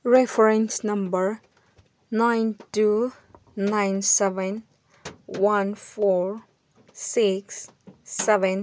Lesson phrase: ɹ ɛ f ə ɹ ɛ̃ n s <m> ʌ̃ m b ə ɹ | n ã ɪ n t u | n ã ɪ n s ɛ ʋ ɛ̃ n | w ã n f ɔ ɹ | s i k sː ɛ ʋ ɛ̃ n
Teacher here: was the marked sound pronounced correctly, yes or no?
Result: no